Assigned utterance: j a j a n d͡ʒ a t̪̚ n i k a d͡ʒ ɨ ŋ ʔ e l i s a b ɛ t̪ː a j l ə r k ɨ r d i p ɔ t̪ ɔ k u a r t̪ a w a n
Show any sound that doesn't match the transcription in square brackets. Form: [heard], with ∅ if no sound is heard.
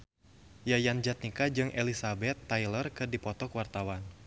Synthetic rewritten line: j a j a n d͡ʒ a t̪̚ n i k a d͡ʒ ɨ ŋ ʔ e l i s a b ɛ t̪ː a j l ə r k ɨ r d i p ɔ t̪ ɔ k [w] a r t̪ a w a n